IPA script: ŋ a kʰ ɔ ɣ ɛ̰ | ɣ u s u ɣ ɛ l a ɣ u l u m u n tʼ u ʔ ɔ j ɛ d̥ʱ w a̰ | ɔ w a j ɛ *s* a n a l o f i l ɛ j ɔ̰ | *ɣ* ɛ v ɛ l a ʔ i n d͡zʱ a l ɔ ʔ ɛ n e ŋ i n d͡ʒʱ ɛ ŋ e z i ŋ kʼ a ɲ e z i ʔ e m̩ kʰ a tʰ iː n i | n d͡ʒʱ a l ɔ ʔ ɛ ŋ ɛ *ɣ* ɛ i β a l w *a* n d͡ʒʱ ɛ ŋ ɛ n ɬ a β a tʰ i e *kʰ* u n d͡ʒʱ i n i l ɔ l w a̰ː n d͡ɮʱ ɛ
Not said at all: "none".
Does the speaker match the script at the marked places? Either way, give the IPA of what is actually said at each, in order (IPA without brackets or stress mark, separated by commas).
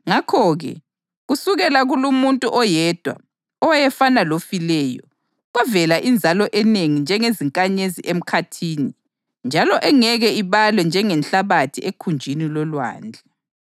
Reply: f, ɣ, ɣ, ɛ, kʰ